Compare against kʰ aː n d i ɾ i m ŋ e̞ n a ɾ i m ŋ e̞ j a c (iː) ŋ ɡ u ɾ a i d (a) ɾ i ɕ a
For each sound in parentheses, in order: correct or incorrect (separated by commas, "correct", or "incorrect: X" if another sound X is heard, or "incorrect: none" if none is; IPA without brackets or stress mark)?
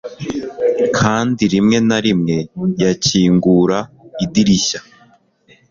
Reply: correct, incorrect: i